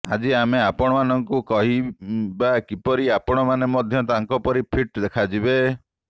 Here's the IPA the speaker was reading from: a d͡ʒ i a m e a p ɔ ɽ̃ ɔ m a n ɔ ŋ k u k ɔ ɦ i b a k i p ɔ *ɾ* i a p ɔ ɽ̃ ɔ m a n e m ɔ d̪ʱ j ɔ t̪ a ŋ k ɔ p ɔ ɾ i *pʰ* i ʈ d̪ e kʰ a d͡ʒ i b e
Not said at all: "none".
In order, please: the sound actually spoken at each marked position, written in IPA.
ɾ, pʰ

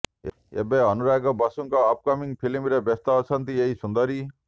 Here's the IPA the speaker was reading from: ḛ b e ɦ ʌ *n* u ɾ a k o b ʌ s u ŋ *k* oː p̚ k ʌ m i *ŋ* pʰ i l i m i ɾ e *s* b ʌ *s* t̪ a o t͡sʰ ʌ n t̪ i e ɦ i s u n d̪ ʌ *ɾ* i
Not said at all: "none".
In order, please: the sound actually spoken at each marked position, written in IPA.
n, k, ŋ, none, s, ɾ

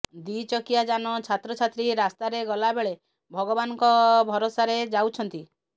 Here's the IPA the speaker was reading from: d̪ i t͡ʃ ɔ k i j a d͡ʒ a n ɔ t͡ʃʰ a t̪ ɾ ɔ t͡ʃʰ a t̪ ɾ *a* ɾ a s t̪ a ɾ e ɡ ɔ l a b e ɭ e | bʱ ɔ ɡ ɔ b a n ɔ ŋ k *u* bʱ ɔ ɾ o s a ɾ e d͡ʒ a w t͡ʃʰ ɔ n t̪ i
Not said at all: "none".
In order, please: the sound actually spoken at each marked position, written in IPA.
i, ɔ

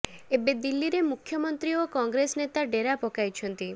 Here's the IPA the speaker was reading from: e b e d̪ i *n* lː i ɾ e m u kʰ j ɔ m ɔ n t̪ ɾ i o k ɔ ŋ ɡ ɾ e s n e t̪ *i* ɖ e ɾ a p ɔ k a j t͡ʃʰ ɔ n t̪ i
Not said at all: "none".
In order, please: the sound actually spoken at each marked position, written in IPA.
none, a

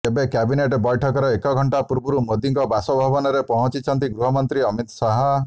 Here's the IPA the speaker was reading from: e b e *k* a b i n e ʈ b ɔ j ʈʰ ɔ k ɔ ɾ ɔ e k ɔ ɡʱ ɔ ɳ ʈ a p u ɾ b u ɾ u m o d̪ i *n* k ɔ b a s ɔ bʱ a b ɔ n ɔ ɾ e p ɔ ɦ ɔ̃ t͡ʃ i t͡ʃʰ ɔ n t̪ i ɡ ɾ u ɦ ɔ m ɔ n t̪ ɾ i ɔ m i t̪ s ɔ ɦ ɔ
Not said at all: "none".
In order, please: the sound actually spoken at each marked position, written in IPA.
k, ŋ

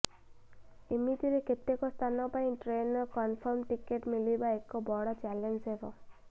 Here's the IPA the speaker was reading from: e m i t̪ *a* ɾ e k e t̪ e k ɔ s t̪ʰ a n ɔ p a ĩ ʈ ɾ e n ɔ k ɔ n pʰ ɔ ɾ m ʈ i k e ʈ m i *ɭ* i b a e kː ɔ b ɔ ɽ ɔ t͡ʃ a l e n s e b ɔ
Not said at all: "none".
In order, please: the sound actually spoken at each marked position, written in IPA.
i, l

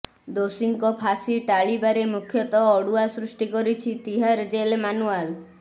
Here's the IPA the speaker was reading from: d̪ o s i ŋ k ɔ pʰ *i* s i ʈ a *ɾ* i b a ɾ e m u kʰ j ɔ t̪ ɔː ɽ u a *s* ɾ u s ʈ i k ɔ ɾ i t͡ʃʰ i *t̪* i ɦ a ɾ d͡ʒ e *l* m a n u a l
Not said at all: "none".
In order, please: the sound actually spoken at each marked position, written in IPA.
a, ɭ, s, t̪, l

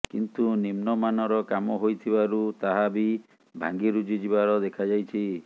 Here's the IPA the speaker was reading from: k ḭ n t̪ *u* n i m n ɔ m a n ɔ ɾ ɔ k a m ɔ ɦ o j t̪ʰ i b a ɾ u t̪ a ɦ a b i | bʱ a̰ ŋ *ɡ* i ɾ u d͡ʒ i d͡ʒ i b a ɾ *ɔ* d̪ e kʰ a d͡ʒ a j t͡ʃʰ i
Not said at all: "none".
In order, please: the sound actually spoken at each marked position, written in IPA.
u, ɡ, ɔ

